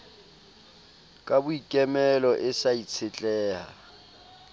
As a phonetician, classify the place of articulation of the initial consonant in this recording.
velar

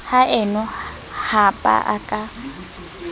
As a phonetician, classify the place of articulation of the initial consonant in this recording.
glottal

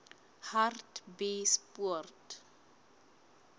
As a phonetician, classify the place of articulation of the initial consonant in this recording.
glottal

